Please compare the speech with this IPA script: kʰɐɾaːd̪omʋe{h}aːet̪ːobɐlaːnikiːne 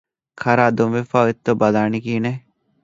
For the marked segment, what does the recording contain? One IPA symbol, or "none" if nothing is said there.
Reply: f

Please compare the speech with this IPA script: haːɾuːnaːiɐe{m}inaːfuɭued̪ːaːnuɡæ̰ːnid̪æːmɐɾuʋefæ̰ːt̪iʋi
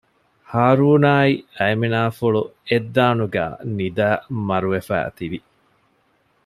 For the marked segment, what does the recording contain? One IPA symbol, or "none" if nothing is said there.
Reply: m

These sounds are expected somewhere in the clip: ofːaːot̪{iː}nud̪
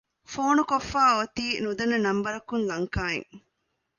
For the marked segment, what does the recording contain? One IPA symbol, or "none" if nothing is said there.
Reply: iː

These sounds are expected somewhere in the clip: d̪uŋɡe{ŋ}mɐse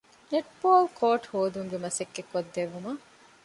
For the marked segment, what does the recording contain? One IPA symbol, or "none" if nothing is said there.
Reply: none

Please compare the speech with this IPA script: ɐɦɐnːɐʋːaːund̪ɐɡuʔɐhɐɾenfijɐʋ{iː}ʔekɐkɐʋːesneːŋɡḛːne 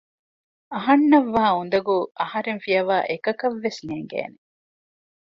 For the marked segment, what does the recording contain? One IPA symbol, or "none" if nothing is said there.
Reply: aː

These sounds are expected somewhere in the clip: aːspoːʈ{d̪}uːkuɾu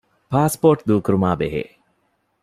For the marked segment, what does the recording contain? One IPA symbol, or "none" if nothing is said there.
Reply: d̪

